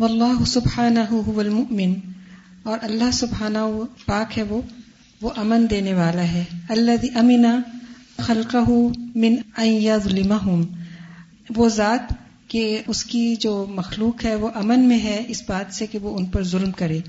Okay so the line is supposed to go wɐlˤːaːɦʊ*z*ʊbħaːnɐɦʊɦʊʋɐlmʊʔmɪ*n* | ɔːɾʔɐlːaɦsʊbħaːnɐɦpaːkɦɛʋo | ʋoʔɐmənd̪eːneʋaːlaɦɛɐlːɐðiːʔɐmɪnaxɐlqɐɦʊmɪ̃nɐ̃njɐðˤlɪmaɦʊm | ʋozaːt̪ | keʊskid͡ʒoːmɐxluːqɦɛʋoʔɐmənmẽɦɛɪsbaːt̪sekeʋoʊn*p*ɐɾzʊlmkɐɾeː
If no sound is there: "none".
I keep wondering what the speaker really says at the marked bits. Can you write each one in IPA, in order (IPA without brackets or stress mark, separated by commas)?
s, n, p